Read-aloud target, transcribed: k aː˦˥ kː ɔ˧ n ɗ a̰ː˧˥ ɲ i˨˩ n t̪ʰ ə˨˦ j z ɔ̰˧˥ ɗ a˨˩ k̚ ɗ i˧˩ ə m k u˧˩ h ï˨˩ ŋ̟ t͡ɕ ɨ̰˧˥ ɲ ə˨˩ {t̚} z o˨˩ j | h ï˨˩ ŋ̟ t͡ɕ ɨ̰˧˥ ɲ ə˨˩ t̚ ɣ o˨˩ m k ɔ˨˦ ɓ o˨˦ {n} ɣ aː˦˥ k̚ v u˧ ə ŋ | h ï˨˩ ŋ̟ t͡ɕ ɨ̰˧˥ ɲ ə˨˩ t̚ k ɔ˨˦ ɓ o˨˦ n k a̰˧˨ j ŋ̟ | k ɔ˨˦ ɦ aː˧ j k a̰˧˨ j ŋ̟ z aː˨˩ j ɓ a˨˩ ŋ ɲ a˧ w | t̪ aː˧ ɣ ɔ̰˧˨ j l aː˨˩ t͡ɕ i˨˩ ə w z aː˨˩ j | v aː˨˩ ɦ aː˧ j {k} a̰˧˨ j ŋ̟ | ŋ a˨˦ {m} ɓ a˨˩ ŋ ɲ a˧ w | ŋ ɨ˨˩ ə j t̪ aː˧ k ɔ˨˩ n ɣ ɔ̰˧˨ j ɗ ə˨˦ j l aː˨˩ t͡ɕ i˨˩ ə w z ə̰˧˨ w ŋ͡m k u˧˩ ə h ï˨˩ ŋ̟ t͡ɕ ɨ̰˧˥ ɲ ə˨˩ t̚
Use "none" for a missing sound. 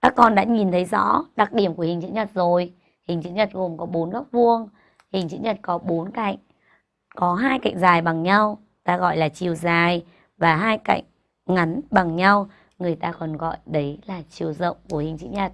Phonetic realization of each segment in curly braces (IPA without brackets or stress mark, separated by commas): t̚, n, k, n